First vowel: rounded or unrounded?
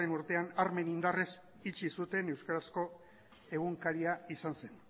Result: unrounded